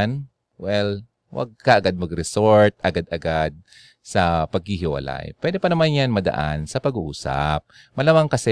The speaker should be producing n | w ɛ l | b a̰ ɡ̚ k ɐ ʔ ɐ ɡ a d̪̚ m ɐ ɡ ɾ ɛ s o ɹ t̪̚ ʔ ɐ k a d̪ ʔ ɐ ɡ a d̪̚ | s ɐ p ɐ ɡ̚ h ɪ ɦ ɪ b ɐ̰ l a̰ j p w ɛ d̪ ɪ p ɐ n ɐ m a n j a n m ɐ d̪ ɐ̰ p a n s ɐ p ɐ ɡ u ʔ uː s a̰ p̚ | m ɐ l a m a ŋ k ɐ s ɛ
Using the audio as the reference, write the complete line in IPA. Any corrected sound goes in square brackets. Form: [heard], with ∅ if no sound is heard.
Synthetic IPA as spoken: n | w ɛ l | [w] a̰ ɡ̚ k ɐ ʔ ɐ ɡ a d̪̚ m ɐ ɡ ɾ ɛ s o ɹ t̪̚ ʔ ɐ [ɡ] a d̪ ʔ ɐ ɡ a d̪̚ | s ɐ p ɐ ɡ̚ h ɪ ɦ ɪ [w] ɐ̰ l a̰ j p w ɛ d̪ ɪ p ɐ n ɐ m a n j a n m ɐ d̪ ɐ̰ [ʔ] a n s ɐ p ɐ ɡ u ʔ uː s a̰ p̚ | m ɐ l a m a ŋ k ɐ s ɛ